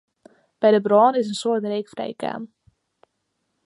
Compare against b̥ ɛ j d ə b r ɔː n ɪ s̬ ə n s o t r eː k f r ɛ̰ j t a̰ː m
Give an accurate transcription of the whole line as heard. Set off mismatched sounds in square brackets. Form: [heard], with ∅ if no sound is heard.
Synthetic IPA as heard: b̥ ɛ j d ə b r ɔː n ɪ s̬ ə n s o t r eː k f r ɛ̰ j [k] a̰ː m

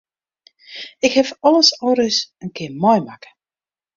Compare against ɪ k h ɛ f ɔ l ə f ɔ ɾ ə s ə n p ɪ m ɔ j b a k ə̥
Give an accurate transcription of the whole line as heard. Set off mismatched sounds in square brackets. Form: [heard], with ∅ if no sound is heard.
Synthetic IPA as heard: ɪ k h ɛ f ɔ l ə [s] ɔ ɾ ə s ə n [k] ɪ m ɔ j [m] a k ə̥

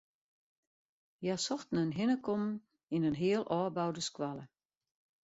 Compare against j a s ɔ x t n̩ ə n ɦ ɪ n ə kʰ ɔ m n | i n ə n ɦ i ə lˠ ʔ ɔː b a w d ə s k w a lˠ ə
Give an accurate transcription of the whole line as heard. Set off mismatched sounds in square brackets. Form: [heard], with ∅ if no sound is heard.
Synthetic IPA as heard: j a s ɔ x t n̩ ə n ɦ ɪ n ə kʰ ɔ m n | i n ə n ɦ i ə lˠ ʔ ɔː b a w d ə s k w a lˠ ə

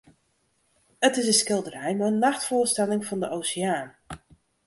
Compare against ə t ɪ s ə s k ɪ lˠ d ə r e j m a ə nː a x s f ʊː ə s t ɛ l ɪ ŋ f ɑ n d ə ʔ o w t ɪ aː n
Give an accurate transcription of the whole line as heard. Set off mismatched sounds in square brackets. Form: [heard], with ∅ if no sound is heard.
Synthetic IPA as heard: ə t ɪ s ə s k ɪ lˠ d ə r [ɛ] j m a ə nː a x [t] f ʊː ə s t ɛ l ɪ ŋ f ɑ n d ə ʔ o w [s] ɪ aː n

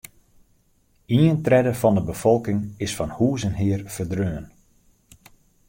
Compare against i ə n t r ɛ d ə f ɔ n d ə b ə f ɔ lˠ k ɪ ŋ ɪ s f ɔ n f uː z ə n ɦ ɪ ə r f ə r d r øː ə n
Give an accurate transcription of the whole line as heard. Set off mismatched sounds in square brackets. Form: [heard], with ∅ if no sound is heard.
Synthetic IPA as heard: i ə n t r ɛ d ə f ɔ n d ə b ə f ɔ lˠ k ɪ ŋ ɪ s f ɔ n [h] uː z ə n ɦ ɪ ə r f ə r d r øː ə n

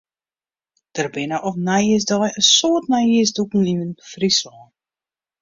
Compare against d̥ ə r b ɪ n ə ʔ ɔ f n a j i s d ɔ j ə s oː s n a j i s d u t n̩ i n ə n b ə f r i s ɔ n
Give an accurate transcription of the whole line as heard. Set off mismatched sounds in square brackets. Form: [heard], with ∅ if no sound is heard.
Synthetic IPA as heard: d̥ ə r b ɪ n ə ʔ ɔ f n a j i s d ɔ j ə s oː [t] n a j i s d u [k] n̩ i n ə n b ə f r i s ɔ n

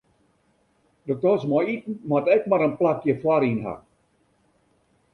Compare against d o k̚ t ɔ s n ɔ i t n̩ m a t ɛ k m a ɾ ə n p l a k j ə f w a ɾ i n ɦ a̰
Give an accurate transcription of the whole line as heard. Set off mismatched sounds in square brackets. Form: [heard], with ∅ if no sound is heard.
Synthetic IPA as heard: d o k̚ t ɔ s [m] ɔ i t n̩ m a t ɛ k m a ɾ ə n p l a k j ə f w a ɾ i n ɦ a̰

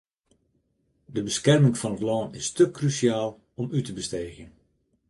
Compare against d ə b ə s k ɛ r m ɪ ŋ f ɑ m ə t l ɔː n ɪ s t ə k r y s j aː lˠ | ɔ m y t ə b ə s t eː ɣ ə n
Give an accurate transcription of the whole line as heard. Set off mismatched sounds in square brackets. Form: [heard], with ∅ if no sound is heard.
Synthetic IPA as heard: d ə b ə s k ɛ r m ɪ ŋ f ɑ [n] ə t l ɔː n ɪ s t ə k r y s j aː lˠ | ɔ m y t ə b ə s t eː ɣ ə n

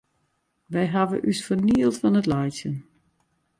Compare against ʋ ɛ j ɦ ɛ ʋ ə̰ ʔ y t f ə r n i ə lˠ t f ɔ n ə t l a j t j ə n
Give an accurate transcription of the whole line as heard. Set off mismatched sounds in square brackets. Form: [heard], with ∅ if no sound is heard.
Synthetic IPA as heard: ʋ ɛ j ɦ [a] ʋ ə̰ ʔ y [s] f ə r n i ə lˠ t f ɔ n ə t l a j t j ə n

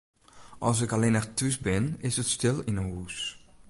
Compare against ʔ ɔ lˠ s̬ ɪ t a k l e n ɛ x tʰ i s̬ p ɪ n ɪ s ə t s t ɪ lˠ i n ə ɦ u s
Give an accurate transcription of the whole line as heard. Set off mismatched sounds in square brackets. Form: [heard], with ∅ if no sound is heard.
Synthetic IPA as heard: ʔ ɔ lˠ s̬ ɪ [k] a [∅] l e n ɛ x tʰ [y] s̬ [b] ɪ n ɪ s ə t s t ɪ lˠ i n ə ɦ u s

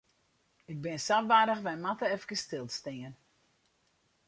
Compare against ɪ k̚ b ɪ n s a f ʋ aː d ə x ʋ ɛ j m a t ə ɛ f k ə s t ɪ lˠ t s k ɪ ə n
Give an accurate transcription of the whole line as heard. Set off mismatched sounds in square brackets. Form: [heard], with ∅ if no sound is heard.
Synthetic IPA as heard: ɪ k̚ b ɪ n s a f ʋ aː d ə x ʋ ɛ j m a t ə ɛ f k ə s t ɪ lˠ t s [t] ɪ ə n

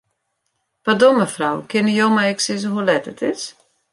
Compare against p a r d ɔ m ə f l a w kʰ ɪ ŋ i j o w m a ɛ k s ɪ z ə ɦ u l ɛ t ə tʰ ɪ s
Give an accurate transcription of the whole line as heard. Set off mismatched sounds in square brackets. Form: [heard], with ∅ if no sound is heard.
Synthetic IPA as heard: p a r d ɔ m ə f [r] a w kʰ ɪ [n] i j o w m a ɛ k s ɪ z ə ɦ u l ɛ t ə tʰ ɪ s

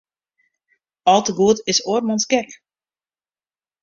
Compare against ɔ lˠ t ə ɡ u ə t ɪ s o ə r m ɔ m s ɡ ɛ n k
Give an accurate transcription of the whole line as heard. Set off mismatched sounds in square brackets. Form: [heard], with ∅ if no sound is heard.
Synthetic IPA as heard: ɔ lˠ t ə ɡ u ə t ɪ s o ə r m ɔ [n] s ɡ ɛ [∅] k

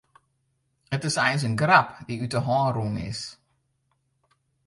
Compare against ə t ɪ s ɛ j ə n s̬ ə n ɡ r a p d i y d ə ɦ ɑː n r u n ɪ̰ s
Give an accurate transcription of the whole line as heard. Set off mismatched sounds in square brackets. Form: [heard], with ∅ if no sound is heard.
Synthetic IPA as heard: ə t ɪ s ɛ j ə n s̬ ə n ɡ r a p d i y [t] ə ɦ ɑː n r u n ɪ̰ s

